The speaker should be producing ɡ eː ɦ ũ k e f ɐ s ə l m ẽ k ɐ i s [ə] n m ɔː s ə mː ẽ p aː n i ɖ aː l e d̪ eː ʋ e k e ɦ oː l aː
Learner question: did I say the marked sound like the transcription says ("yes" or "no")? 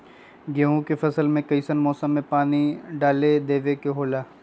yes